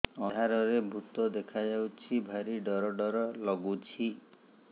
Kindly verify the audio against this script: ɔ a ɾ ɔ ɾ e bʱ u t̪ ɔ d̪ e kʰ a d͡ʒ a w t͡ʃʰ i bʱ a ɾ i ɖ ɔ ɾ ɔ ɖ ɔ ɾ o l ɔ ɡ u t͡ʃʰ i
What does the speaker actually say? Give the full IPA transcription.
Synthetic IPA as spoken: ɔ a ɾ ɔ ɾ e bʱ u t̪ ɔ d̪ e kʰ a d͡ʒ a w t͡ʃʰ i bʱ a ɾ i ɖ ɔ ɾ ɔ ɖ ɔ ɾ ɔ l ɔ ɡ u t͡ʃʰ i